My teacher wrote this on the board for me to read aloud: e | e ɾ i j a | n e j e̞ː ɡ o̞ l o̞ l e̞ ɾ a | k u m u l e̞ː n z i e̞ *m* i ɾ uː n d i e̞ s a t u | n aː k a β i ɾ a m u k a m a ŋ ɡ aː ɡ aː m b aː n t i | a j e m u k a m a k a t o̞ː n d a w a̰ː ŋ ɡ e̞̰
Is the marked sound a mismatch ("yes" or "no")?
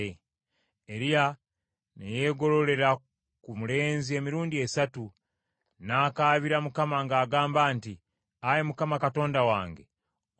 no